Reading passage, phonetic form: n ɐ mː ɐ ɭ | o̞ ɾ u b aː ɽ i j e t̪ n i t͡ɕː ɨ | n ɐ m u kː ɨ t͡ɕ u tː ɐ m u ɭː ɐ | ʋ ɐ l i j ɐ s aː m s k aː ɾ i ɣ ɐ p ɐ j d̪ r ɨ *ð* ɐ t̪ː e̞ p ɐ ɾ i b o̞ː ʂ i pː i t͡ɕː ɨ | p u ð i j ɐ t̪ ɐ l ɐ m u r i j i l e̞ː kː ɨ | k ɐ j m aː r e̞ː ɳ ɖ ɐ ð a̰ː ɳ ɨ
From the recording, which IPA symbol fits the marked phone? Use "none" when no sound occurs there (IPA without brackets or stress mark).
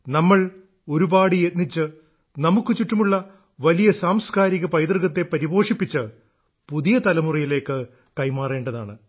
ɣ